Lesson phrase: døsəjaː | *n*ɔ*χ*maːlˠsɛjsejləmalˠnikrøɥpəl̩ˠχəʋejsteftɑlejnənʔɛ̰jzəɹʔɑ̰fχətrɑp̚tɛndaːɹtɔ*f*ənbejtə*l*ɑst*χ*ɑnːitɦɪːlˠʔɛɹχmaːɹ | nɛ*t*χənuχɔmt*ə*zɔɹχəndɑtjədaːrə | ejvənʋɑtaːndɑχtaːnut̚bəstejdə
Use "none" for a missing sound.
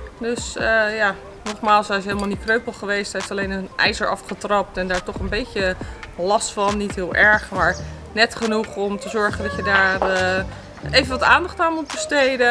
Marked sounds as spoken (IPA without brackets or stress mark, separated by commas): n, χ, χ, l, f, t, ə